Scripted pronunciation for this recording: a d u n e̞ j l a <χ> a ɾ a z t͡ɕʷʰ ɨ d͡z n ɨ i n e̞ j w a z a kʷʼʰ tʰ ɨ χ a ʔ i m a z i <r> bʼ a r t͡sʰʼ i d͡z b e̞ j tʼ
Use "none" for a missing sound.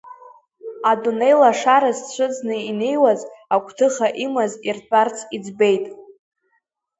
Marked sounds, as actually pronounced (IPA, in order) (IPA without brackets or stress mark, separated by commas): ʂ, r